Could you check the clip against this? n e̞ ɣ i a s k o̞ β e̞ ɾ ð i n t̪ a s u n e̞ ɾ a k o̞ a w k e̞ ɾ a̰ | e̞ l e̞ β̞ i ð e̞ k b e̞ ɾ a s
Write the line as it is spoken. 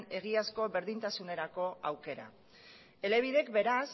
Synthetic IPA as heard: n e̞ ɣ i a s k o̞ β e̞ ɾ ð i n t̪ a s u n e̞ ɾ a k o̞ a w k e̞ ɾ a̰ | e̞ l e̞ β̞ i ð e̞ k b e̞ ɾ a s